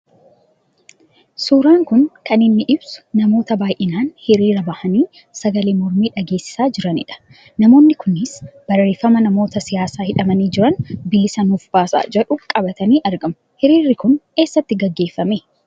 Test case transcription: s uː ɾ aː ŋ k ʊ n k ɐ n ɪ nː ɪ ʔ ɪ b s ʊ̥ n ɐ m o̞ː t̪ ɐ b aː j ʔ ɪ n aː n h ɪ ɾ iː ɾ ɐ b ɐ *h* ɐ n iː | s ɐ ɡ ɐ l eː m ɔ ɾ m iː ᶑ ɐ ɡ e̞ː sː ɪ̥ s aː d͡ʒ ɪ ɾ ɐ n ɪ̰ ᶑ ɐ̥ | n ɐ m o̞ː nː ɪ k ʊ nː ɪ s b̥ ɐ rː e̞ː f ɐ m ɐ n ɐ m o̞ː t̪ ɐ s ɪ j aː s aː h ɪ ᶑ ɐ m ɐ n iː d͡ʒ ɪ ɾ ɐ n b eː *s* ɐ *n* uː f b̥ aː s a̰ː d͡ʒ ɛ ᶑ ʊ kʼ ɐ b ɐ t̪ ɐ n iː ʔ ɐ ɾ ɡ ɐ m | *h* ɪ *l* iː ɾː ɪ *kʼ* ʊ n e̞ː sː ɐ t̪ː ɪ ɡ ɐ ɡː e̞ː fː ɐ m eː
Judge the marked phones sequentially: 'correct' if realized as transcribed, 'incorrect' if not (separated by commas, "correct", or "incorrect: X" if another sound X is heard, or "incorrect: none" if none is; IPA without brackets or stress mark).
correct, correct, correct, correct, incorrect: ɾ, incorrect: k